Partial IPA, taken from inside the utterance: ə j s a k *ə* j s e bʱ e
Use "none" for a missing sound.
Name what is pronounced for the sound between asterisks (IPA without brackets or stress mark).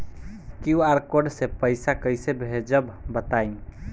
ə